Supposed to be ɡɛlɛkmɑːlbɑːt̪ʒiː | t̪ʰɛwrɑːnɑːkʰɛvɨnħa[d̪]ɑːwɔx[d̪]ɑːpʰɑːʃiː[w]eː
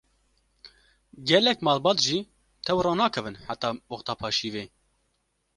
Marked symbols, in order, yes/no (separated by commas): no, no, no